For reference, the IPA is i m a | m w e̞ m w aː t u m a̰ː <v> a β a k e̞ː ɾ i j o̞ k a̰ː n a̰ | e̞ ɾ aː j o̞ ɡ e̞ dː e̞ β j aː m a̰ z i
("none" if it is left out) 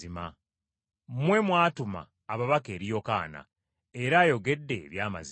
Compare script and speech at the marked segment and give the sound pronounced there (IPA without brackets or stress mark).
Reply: β